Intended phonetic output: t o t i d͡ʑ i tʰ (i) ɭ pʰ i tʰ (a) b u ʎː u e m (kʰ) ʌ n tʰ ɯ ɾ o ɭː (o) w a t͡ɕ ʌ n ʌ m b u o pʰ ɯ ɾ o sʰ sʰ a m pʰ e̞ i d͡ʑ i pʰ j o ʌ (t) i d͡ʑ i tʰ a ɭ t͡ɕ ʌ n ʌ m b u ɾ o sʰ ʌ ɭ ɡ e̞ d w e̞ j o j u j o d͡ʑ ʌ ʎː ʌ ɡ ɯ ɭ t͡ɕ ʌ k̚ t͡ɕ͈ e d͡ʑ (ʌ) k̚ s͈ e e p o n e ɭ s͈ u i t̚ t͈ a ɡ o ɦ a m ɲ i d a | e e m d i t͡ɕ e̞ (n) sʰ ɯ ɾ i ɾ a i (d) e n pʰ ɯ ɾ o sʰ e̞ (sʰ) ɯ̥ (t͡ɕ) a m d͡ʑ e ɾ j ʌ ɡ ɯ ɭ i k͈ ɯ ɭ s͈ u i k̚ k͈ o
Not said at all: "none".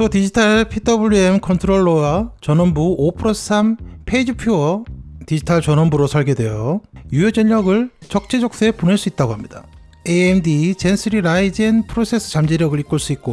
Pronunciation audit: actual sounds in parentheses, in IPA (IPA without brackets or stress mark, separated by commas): a, ʌ, kʰ, o, t, ʌ, n, d͡ʑ, sʰ, t͡ɕ